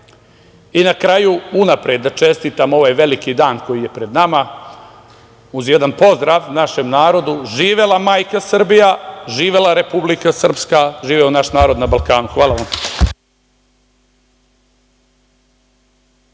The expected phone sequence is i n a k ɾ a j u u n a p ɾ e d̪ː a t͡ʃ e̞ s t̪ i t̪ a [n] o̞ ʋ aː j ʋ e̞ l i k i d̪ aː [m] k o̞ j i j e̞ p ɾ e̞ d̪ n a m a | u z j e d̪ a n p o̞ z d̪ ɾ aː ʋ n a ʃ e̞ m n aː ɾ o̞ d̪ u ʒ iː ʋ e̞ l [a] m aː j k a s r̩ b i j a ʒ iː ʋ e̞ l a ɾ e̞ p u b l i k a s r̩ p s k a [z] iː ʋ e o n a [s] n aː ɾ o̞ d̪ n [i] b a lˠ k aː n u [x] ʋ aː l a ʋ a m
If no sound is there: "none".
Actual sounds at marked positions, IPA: m, n, a, ʒ, ʃ, a, x

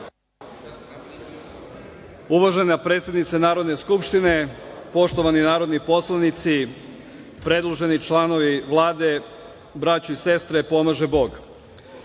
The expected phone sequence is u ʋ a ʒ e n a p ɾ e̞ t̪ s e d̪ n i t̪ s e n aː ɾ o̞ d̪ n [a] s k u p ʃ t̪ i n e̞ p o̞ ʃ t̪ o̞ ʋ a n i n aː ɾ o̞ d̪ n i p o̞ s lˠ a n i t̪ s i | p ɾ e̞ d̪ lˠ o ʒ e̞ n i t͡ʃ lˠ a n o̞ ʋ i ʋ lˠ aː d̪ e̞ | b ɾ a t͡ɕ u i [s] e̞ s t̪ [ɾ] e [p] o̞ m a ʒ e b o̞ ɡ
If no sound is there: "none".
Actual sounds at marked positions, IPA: e, s, ɾ, p

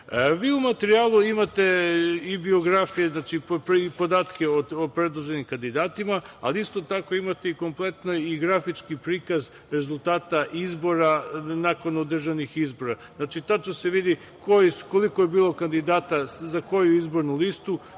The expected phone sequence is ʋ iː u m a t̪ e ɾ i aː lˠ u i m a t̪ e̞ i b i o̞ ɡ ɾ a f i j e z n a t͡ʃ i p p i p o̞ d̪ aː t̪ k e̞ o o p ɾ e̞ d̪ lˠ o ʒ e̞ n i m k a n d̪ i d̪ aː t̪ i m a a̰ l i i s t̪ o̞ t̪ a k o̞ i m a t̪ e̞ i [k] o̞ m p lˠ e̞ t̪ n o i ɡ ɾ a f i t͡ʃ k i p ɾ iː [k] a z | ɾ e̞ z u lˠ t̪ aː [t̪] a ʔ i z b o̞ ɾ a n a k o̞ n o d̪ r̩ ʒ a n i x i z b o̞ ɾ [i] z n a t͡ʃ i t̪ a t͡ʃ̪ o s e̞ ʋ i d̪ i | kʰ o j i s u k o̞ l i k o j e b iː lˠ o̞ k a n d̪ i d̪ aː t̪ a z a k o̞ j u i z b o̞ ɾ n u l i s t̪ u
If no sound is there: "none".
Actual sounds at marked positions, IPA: k, k, t̪, a

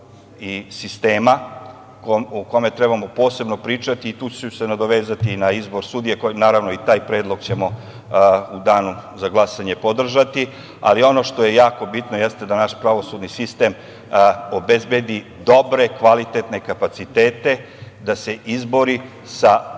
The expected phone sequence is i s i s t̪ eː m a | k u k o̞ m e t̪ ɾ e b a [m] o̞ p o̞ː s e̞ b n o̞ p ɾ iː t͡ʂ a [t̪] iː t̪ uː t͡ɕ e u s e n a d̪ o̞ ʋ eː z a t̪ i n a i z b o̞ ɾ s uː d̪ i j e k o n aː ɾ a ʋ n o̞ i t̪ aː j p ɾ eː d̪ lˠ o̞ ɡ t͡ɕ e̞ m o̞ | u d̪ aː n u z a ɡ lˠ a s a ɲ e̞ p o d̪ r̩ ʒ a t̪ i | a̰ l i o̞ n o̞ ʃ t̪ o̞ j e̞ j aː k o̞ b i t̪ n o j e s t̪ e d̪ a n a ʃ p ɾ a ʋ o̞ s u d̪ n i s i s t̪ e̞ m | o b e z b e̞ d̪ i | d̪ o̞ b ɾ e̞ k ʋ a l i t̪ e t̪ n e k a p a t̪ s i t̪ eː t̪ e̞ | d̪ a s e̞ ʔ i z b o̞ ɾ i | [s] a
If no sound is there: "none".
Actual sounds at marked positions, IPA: m, t̪, s

